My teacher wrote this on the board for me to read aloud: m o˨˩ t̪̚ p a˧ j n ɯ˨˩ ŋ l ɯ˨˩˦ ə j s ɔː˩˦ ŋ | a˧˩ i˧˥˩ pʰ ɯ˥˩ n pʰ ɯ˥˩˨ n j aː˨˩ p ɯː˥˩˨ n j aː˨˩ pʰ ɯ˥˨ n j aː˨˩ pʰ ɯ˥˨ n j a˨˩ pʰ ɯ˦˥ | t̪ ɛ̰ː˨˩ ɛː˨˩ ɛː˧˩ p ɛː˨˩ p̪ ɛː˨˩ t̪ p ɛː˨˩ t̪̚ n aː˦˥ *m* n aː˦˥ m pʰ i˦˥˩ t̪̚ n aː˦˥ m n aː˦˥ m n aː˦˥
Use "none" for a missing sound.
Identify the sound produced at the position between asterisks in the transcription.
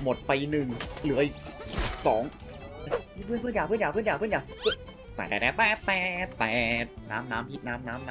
m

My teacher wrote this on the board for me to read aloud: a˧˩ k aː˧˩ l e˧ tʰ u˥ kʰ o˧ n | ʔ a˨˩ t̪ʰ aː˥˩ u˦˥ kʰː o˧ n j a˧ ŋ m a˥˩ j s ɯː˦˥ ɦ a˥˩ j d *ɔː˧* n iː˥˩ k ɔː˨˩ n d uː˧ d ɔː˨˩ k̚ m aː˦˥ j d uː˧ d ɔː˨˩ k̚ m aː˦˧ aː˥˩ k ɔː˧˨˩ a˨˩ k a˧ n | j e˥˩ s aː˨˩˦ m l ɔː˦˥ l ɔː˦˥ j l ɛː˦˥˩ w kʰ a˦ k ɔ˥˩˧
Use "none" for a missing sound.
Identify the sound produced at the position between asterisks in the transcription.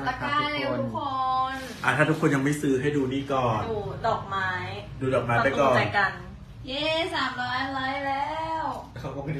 uː˧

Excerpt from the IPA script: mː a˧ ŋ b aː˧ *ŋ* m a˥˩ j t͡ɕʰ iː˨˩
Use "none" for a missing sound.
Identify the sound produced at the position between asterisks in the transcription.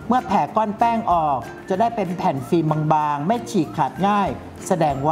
ŋ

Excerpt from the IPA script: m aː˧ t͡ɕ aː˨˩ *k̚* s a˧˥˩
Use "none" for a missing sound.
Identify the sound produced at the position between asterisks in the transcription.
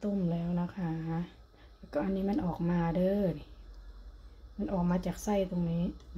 k̚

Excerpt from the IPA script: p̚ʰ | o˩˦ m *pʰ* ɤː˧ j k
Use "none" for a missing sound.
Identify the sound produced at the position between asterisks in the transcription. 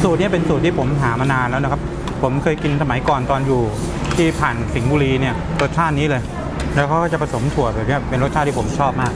kʰ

